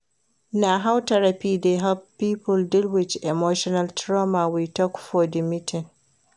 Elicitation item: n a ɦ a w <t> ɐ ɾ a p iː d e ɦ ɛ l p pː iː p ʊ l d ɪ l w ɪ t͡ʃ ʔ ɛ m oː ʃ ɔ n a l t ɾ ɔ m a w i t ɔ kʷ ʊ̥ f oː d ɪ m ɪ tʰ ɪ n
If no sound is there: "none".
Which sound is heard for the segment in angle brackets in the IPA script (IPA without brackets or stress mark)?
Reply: t